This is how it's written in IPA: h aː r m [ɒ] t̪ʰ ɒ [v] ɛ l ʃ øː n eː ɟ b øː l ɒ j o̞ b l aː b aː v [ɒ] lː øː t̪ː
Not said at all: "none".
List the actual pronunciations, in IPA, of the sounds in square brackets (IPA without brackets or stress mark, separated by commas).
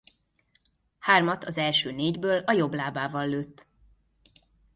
ɒ, z, ɒ